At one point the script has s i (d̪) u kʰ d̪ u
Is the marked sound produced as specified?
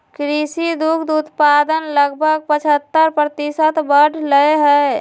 yes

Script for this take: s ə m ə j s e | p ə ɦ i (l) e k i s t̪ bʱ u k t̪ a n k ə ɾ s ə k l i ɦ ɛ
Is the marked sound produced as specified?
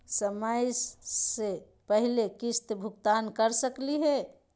yes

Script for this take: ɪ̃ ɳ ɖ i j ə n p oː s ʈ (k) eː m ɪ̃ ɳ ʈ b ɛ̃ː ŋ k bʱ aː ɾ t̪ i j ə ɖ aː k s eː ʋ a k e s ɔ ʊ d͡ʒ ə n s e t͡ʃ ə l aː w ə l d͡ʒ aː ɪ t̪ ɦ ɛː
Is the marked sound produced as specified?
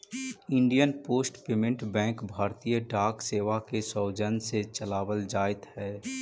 no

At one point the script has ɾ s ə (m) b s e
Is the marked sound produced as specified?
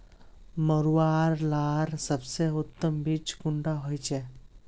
no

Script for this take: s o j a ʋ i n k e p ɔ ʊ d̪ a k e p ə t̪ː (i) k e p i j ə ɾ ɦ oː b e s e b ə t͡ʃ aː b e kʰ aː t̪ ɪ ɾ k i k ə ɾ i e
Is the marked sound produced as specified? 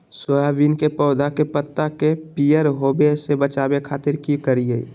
no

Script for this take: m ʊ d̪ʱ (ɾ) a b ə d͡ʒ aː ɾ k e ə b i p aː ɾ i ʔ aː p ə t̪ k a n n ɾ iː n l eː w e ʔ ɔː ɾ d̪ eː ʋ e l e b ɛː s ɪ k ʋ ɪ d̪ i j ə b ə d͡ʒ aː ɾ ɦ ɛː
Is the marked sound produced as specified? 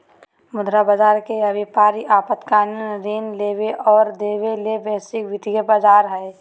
yes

